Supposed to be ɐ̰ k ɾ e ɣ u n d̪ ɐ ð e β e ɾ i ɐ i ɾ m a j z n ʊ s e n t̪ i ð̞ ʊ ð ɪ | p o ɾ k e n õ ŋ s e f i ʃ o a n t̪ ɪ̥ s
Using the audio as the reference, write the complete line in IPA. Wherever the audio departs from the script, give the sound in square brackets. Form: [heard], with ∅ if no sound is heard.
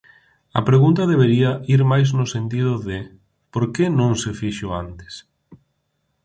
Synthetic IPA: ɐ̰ [p] ɾ e ɣ u n [t̪] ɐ ð e β e ɾ i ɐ i ɾ m a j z n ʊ s e n t̪ i ð̞ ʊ ð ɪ | p o ɾ k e n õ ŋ s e f i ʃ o a n t̪ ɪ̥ s